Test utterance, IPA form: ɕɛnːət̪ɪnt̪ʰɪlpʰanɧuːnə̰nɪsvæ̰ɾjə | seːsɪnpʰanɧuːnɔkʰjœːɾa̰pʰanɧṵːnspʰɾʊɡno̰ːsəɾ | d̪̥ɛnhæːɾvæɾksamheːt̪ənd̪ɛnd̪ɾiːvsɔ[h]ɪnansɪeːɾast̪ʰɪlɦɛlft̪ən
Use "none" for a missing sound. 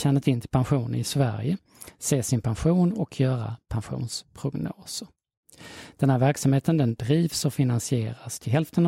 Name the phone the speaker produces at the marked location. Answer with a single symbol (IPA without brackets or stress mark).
f